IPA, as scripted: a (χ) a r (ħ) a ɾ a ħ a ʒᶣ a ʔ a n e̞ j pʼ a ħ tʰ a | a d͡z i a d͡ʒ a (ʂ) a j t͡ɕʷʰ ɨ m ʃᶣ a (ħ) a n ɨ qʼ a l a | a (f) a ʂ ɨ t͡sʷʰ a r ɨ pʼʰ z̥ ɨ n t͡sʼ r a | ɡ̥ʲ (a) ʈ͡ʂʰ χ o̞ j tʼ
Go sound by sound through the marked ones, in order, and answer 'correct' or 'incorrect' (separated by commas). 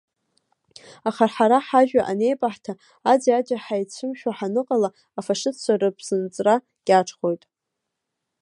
correct, correct, incorrect, correct, correct, correct